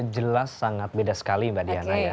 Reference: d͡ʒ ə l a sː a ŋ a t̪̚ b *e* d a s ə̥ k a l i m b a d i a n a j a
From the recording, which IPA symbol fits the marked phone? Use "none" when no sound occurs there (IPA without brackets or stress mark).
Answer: e